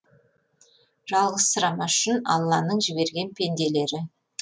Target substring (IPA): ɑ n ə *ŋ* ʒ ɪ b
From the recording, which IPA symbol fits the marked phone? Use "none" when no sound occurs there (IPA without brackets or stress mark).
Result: ɴ